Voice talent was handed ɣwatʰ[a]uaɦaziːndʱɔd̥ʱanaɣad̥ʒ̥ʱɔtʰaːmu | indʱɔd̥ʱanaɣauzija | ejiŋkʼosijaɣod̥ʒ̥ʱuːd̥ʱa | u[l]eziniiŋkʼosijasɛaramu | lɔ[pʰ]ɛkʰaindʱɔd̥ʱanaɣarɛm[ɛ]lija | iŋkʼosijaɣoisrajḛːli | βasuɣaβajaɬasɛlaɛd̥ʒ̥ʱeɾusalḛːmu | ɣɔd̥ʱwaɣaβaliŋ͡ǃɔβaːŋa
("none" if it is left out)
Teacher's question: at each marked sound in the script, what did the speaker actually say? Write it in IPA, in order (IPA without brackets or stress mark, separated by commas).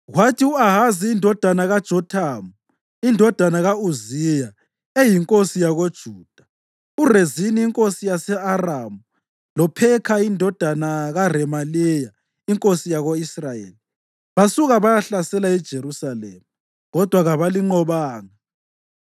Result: i, r, pʰ, a